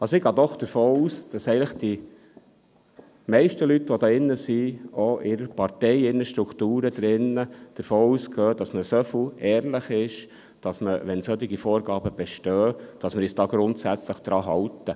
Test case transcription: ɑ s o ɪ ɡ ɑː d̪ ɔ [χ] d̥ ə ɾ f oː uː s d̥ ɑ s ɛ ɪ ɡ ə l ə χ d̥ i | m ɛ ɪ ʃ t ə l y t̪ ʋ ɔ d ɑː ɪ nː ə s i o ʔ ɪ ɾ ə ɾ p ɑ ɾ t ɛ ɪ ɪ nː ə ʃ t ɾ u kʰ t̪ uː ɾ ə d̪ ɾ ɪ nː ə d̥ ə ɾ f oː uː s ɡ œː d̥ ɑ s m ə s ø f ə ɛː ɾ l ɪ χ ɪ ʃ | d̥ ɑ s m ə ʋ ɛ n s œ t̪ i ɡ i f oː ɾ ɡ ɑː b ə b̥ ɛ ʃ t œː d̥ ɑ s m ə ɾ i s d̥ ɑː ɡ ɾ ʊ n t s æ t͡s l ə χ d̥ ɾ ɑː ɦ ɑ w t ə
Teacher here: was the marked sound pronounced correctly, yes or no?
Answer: yes